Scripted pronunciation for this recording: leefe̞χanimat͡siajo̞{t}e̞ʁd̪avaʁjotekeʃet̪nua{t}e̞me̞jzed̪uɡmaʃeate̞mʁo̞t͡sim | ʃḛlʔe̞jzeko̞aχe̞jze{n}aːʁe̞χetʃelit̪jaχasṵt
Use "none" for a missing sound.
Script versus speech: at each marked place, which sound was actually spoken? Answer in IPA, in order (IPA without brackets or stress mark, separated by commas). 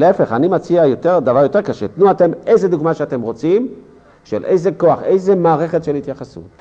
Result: t, t, m